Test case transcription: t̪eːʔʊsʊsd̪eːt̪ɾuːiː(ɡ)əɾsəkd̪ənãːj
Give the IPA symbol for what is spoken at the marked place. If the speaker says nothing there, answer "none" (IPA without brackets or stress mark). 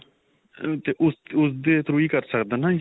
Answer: k